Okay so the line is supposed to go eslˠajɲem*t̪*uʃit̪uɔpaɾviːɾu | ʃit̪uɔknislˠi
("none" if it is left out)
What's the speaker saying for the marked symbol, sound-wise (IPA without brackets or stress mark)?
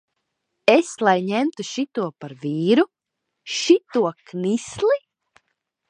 t̪